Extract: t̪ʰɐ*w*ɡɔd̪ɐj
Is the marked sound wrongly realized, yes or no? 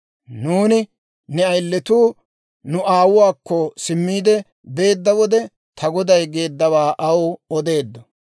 yes